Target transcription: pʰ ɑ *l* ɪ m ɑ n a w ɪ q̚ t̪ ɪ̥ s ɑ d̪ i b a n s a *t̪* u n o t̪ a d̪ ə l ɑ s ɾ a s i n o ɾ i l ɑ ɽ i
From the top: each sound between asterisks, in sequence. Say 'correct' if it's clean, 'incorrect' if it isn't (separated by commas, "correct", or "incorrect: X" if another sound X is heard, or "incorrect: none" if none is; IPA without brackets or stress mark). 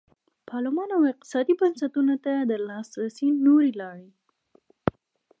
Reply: correct, correct